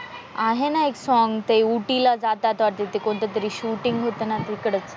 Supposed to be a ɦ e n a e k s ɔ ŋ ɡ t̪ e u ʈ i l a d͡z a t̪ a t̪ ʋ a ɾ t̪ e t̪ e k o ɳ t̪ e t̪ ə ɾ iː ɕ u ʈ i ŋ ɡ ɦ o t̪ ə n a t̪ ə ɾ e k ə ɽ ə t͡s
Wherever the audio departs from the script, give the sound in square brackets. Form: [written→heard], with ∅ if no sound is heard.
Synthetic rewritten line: a ɦ e n a e k s ɔ ŋ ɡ t̪ e u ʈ i l a d͡z a t̪ a t̪ ʋ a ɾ t̪ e t̪ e k o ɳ t̪ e t̪ ə ɾ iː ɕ u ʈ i ŋ ɡ ɦ o t̪ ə n a t̪ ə ɾ [e→i] k ə ɽ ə t͡s